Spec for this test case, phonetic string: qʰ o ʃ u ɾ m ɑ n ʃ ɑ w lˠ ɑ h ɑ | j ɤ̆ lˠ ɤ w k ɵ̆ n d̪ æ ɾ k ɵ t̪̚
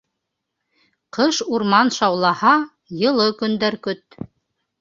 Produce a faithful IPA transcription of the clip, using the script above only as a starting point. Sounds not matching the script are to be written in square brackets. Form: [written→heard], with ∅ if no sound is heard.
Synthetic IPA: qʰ [o→ɤ] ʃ u ɾ m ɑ n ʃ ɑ w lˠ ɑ h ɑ | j ɤ̆ lˠ ɤ [w→∅] k ɵ̆ n d̪ æ ɾ k ɵ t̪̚

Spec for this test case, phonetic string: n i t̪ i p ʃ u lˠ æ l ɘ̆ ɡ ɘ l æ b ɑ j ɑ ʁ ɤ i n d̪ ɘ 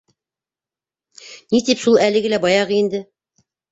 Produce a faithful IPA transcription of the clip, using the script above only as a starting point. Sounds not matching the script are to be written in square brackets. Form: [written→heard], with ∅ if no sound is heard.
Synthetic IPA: n i t̪ i p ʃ u lˠ æ l ɘ̆ ɡ ɘ l æ b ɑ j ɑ ʁ ɤ i n d̪ ɘ

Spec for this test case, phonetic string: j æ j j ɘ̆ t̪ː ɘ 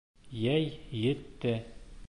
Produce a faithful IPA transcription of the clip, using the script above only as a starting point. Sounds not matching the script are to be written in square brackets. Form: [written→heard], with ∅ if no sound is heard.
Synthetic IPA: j æ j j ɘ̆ t̪ː ɘ

